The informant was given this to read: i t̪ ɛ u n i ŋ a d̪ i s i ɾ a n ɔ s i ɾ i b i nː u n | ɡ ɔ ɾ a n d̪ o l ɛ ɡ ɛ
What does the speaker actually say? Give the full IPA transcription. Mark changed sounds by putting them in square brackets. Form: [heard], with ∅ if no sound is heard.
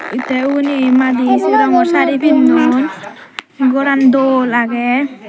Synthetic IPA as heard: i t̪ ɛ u n i [m] a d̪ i s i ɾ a [ŋ] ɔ s [a] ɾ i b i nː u n | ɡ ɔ ɾ a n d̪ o l [a] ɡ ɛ